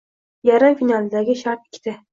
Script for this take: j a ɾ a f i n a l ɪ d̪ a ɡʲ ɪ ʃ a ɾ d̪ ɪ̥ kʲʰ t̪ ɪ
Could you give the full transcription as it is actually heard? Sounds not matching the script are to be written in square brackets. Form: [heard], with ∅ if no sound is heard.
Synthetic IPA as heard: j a ɾ a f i n a l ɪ d̪ a ɡʲ ɪ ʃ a ɾ [t̪] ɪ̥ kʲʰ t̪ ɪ